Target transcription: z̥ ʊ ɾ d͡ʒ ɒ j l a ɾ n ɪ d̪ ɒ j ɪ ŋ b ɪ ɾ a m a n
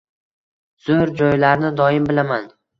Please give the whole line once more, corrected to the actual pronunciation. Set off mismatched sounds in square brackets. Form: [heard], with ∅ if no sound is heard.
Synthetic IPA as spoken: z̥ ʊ ɾ d͡ʒ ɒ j l a ɾ n ɪ d̪ ɒ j ɪ [m] b ɪ [l] a m a n